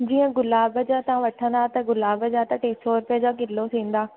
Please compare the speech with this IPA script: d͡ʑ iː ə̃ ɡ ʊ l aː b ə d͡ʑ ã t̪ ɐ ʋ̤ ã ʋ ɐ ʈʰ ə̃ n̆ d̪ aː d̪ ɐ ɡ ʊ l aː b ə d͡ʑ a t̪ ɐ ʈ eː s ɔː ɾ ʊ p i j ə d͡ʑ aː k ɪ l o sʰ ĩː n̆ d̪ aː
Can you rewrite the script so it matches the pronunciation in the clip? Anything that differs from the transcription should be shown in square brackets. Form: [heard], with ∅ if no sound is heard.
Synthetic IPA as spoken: d͡ʑ iː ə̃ ɡ ʊ l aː b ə d͡ʑ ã t̪ ɐ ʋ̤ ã ʋ ɐ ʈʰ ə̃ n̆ d̪ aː [t̪] ɐ ɡ ʊ l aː b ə d͡ʑ a t̪ ɐ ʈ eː s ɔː ɾ ʊ p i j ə d͡ʑ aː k ɪ l o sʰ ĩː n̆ d̪ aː